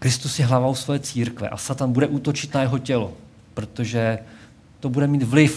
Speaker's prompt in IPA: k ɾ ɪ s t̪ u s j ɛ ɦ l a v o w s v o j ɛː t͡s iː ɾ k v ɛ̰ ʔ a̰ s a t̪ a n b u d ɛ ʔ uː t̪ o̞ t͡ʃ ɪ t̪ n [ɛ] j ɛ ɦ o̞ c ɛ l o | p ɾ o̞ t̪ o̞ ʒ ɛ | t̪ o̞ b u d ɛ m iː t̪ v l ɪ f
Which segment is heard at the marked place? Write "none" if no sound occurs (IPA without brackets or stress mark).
a